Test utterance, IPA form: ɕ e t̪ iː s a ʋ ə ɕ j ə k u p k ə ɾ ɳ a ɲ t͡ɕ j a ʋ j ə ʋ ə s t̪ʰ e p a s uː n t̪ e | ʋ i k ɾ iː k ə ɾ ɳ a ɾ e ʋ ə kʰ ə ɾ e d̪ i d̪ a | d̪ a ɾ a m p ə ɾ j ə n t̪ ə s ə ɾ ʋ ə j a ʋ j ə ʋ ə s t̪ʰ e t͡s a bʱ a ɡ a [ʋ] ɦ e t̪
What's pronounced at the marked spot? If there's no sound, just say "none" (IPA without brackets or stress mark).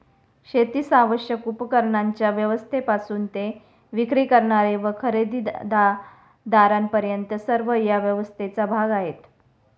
none